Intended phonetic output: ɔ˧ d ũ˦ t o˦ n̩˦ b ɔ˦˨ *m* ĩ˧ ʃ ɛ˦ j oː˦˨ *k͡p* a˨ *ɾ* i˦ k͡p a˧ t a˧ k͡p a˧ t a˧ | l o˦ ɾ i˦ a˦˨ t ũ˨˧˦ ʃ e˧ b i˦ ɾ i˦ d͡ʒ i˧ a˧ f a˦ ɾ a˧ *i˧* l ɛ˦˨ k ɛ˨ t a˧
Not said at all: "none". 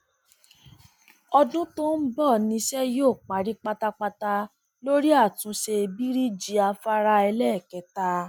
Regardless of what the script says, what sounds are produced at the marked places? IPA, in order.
n, k͡p, ɾ, ɛ˧

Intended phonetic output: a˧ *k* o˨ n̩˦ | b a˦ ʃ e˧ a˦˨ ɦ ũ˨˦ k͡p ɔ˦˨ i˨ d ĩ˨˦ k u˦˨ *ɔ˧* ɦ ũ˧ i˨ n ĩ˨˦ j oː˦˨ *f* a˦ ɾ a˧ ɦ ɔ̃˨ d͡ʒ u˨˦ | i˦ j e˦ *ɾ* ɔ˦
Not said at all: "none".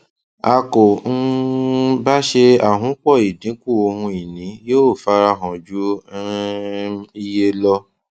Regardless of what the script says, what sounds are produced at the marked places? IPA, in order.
k, o˧, f, l

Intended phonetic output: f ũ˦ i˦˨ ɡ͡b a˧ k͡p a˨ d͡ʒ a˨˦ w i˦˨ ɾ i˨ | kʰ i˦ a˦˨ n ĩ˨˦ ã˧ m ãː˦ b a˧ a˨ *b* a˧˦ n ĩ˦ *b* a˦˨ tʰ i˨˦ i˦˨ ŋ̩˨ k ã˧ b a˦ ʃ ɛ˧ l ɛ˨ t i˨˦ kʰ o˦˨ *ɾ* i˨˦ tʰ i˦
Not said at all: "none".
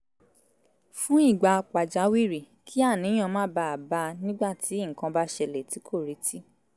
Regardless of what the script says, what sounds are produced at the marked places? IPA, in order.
b, ɡ͡b, ɾ

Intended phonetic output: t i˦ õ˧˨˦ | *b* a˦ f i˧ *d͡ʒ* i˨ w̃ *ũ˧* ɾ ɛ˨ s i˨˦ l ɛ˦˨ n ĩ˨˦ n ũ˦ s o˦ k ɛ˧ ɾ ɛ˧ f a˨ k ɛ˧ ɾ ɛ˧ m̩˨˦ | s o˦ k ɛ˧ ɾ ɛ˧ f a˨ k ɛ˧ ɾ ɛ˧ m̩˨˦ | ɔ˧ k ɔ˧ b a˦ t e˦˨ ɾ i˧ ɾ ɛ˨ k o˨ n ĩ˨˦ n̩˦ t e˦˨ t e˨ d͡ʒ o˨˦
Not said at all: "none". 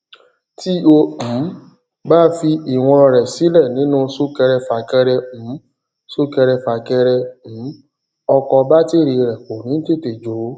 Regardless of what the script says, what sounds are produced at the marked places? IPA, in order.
b, none, ɔ̃˧

